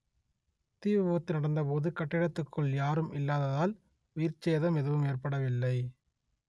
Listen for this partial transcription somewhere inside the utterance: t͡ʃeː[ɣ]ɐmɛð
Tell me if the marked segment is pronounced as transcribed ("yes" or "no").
no